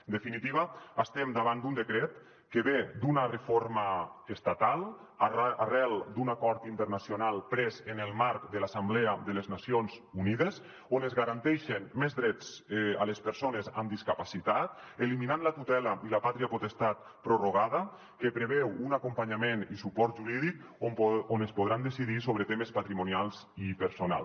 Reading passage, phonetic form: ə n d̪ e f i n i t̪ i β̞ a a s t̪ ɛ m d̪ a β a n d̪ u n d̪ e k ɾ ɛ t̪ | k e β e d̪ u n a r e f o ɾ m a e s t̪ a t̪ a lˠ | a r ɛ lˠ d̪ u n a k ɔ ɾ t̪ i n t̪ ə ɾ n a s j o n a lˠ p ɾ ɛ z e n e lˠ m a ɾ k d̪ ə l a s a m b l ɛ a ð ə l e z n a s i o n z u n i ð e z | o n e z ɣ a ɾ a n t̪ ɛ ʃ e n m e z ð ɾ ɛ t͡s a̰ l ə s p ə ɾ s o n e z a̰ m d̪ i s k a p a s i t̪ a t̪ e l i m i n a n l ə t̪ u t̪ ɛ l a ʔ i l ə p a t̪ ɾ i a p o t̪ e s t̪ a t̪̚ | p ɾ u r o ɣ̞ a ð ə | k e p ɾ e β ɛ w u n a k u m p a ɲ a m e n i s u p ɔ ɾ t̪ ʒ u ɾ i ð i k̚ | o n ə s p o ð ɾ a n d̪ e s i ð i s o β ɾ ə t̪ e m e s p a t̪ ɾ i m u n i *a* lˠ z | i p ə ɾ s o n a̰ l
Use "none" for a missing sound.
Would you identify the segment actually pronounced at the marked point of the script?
a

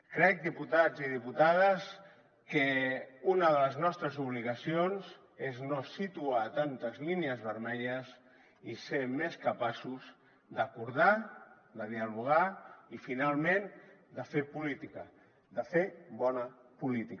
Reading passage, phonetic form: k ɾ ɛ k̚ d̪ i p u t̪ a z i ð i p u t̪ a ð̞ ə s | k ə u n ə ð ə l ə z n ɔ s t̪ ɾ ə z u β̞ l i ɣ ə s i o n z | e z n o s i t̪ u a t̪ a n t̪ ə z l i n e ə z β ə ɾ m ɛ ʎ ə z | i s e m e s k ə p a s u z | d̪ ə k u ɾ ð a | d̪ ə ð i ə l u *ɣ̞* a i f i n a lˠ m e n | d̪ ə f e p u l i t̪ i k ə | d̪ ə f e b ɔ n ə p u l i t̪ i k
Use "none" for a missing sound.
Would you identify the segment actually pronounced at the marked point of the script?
ɣ̞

